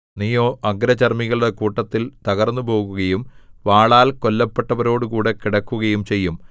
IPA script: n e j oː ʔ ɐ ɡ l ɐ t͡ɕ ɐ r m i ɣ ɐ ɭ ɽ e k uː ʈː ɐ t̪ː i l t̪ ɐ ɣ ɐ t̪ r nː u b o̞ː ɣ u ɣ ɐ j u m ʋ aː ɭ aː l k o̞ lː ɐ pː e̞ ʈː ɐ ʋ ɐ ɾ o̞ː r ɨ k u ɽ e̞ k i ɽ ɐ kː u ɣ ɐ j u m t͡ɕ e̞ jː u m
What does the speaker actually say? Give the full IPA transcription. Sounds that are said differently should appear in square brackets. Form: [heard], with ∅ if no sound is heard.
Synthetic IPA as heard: n [i] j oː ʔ ɐ ɡ [ɾ] ɐ t͡ɕ ɐ r m i ɣ ɐ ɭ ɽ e k uː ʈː ɐ t̪ː i l t̪ ɐ ɣ ɐ [∅] r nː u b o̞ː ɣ u ɣ ɐ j u m ʋ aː ɭ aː l k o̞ lː ɐ pː e̞ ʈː ɐ ʋ ɐ ɾ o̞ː [ɽ] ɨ k [uː] ɽ e̞ k i ɽ ɐ kː u ɣ ɐ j u m t͡ɕ e̞ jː u m